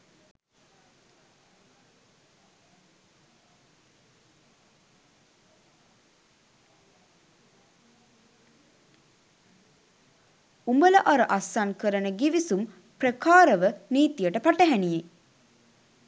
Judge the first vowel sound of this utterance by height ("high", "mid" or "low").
high